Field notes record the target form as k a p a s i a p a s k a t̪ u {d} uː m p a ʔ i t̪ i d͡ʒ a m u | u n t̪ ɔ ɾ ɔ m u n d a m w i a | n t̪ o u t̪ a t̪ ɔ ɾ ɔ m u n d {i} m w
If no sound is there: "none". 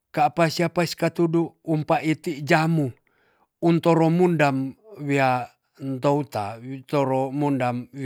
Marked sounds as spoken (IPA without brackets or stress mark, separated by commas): d, a